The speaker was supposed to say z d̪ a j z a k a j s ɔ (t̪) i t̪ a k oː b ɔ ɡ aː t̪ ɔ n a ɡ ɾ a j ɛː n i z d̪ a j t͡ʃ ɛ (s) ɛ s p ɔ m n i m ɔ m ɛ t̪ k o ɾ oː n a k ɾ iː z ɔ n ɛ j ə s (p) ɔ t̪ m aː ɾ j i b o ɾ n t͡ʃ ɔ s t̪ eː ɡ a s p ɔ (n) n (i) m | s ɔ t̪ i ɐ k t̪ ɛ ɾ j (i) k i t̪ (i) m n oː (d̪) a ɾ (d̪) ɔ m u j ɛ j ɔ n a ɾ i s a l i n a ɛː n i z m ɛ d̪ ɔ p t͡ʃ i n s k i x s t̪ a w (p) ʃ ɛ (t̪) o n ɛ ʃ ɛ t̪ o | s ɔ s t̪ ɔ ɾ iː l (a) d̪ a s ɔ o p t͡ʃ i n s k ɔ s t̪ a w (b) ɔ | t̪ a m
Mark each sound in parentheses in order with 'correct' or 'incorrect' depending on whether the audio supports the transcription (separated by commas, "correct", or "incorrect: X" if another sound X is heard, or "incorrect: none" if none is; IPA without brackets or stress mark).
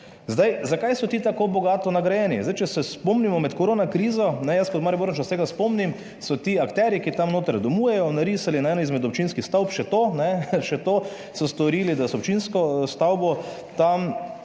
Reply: correct, correct, incorrect: k, incorrect: m, correct, correct, incorrect: a, incorrect: t̪, correct, correct, correct, incorrect: i, correct